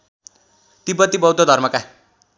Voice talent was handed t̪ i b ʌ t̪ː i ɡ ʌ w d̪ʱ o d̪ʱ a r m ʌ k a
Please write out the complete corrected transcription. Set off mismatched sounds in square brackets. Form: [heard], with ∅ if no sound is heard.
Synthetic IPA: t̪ i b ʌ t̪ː i [b] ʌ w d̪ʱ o d̪ʱ [ʌ] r m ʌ k a

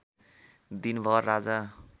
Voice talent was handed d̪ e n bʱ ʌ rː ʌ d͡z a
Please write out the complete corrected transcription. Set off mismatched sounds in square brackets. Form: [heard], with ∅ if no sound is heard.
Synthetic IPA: d̪ [i] n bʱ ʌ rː [a] d͡z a

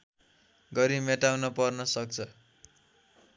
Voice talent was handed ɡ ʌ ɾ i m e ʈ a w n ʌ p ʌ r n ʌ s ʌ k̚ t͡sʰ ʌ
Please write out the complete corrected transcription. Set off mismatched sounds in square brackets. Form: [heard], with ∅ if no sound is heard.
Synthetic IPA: ɡ ʌ ɾ i m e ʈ a w n ʌ p ʌ r n ʌ s ʌ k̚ t͡sʰ ʌ

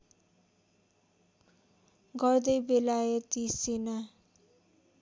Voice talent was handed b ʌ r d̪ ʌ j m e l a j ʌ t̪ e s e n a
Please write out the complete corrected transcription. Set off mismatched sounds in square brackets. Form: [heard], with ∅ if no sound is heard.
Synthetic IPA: [ɡ] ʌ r d̪ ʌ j [b] e l a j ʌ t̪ [i] s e n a

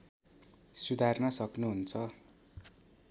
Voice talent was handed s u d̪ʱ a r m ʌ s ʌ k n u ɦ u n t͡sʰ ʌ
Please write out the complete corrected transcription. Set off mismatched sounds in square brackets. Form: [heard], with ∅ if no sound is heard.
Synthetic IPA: s u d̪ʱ a r [n] ʌ s ʌ k n u ɦ u n t͡sʰ ʌ

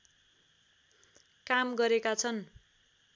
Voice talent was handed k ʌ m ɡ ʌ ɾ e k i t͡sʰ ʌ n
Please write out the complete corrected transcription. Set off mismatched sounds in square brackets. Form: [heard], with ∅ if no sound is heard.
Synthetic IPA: k [a] m ɡ ʌ ɾ e k [a] t͡sʰ ʌ n

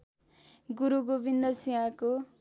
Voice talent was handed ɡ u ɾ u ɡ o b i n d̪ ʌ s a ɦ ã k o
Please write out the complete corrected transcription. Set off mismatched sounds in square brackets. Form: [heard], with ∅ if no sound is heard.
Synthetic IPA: ɡ u ɾ u ɡ o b i n d̪ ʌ s [i] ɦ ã k o

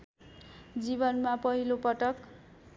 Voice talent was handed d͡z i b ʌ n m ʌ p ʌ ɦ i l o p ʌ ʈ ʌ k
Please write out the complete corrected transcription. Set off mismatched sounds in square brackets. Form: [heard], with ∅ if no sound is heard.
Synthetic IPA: d͡z i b ʌ n m [a] p ʌ ɦ i l o p ʌ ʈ ʌ k

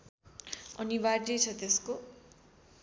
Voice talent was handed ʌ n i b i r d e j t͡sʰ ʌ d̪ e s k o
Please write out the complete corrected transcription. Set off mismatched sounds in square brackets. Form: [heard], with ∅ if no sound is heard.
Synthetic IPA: ʌ n i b [a] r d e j t͡sʰ ʌ [t̪] e s k o

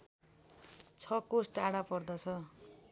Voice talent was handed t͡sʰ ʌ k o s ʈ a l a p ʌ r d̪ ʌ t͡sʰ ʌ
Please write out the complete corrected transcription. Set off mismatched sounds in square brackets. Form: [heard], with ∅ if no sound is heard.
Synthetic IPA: t͡sʰ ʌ k o s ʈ a [ɽ] a p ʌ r d̪ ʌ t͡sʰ ʌ

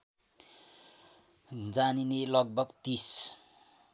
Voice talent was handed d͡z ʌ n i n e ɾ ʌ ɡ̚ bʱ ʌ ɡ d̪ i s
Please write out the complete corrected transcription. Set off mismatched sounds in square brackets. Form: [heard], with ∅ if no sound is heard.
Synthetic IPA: d͡z [a] n i n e [l] ʌ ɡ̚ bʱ ʌ ɡ [t̪] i s

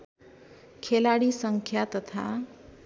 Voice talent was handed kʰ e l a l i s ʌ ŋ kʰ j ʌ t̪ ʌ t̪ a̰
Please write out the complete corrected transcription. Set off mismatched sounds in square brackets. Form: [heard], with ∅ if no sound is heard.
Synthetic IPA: kʰ e l a [ɽ] i s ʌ ŋ kʰ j [a] t̪ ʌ [t̪ʰ] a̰

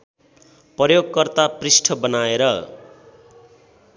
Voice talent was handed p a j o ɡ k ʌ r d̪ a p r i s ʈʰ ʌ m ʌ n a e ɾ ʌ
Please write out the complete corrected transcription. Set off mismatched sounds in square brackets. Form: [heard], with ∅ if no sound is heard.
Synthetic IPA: p [ʌ] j o ɡ k ʌ r [t̪] a p r i s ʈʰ ʌ [b] ʌ n a e ɾ ʌ

